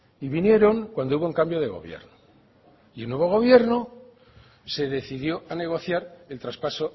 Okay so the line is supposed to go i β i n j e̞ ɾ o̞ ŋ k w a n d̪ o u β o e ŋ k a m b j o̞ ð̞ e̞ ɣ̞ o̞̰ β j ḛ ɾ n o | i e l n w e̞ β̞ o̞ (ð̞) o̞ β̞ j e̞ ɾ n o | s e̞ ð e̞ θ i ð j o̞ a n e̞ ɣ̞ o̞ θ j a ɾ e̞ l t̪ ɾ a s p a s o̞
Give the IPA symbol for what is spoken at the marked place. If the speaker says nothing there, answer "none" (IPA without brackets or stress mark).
ɣ̞